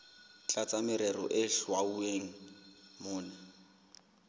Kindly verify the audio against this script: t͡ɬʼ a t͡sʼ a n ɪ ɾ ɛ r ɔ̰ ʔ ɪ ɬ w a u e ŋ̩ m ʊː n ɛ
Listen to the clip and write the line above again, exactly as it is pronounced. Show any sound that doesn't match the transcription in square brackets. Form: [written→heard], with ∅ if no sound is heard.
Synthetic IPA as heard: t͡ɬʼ a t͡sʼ a [n→m] ɪ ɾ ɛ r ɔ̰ ʔ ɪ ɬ w a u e ŋ̩ m ʊː n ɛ